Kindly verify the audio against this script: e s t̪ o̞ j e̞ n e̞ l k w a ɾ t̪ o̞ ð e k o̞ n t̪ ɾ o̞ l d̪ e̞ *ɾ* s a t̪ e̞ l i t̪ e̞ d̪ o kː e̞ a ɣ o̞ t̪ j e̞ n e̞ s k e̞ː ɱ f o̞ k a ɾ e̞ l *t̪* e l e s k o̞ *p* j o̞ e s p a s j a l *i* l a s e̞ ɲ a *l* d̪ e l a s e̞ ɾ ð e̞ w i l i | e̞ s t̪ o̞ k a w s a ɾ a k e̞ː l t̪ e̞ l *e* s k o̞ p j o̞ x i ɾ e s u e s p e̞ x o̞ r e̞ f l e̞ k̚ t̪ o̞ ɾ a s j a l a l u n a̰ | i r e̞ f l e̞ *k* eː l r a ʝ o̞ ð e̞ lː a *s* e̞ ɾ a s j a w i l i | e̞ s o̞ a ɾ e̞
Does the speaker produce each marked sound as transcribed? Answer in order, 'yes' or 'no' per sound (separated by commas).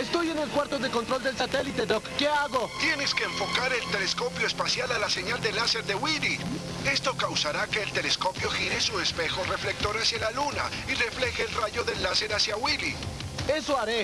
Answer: no, yes, yes, no, yes, yes, no, yes